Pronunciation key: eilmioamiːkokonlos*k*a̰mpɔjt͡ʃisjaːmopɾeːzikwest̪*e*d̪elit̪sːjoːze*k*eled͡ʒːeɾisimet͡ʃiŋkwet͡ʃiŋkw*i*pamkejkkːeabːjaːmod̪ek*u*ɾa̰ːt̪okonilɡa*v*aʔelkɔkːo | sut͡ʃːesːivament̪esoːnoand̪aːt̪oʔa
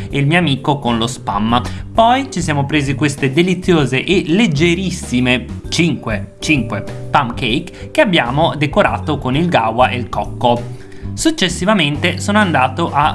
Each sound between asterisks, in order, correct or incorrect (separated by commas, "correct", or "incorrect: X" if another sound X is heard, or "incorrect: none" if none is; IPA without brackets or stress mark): incorrect: p, correct, incorrect: ʔ, incorrect: e, incorrect: o, incorrect: w